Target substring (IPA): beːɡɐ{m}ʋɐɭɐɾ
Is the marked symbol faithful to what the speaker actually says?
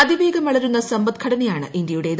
yes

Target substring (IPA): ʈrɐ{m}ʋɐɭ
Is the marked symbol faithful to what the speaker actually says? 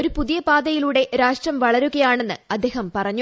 yes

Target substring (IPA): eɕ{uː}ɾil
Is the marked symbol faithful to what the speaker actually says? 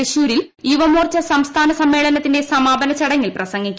yes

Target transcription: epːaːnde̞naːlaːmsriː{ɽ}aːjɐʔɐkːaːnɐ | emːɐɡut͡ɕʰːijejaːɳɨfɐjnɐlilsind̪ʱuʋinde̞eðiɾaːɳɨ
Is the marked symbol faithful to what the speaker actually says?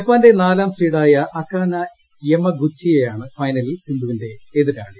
yes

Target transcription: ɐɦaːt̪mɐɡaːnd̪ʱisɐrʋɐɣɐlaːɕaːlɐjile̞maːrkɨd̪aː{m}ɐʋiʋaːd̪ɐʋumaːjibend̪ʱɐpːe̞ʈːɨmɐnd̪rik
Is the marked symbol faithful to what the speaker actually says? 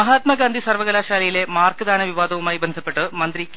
no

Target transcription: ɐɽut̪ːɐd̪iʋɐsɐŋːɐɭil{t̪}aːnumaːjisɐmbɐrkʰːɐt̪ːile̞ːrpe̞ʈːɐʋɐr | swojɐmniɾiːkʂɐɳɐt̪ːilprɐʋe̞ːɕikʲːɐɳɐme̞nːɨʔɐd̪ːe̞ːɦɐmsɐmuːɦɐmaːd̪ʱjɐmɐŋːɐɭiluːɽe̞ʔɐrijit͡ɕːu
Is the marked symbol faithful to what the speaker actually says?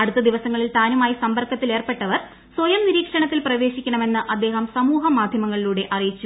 yes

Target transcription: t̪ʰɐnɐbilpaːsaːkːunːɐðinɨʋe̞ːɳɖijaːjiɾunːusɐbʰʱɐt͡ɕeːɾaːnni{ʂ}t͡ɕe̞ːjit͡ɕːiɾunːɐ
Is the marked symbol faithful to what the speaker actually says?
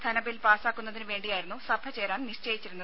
yes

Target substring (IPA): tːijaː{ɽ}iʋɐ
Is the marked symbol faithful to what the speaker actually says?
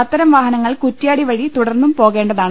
yes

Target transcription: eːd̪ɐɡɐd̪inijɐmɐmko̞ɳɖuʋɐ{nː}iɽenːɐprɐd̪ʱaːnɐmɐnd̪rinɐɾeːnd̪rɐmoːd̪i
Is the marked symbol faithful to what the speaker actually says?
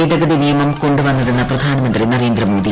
yes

